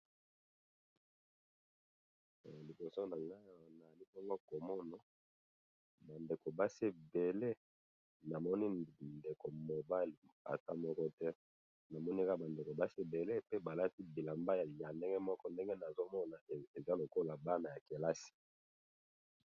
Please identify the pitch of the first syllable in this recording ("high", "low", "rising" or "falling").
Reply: low